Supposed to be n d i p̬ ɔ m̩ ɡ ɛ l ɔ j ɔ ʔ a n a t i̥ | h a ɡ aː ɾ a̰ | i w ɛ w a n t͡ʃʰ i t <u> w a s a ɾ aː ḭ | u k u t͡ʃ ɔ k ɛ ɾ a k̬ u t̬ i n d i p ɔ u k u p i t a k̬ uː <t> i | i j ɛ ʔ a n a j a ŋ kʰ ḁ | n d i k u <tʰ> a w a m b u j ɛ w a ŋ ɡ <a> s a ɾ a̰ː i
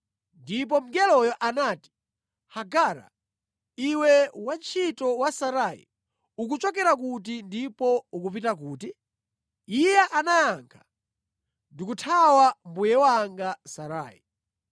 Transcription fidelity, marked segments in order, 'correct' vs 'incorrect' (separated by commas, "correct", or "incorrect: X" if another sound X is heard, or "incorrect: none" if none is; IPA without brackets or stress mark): incorrect: ɔ, correct, correct, correct